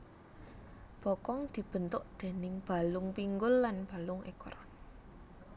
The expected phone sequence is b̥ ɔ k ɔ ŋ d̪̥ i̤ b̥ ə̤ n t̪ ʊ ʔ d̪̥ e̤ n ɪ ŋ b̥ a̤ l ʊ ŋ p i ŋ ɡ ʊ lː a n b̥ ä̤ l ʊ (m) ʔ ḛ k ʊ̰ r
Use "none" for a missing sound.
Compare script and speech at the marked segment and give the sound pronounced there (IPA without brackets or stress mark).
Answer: ŋ